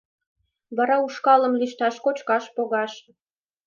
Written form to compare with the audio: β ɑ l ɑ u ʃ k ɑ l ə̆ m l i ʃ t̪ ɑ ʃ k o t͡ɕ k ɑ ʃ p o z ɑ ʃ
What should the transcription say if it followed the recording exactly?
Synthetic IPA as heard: β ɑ ɾ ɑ u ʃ k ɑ l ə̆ m l i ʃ t̪ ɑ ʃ k o t͡ɕ k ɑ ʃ p o ɣ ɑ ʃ

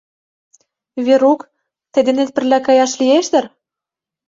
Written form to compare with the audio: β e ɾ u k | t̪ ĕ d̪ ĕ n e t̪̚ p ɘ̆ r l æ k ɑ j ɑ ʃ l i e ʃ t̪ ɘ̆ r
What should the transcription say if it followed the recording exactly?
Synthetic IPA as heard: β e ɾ u k | t̪ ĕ d̪ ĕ n e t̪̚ p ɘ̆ r l æ k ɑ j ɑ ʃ l i e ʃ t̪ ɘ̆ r

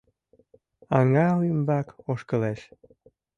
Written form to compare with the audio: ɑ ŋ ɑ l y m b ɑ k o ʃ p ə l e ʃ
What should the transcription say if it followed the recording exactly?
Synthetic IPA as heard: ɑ ŋ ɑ l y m b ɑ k o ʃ k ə l e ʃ

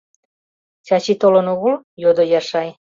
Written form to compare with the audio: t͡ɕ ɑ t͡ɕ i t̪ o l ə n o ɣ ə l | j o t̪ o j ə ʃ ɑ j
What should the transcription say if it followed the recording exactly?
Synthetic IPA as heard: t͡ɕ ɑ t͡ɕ i t̪ o l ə n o ɣ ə l | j o d̪ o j ɑ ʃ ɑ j

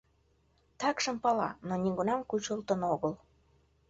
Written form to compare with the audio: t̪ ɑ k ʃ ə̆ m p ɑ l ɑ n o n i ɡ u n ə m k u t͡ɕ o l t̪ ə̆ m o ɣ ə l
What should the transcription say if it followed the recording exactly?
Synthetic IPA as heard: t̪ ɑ k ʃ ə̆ m p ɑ l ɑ n o n i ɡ u n ɑ m k u t͡ɕ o l t̪ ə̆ n o ɣ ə l

